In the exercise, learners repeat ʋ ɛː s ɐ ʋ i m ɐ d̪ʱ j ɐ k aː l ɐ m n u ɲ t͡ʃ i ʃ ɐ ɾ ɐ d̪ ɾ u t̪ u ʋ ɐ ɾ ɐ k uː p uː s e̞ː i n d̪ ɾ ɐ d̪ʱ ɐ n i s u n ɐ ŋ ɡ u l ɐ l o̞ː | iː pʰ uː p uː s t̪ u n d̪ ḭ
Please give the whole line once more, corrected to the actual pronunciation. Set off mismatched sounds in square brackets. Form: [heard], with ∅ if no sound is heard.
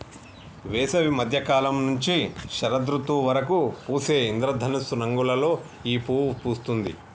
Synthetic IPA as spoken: ʋ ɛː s ɐ ʋ i m ɐ d̪ʱ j ɐ k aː l ɐ m n u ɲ t͡ʃ i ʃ ɐ ɾ ɐ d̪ ɾ u t̪ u ʋ ɐ ɾ ɐ k [u] p uː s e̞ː i n d̪ ɾ ɐ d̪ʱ ɐ n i s u n ɐ ŋ ɡ u l ɐ l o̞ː | iː [p] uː p uː s t̪ u n d̪ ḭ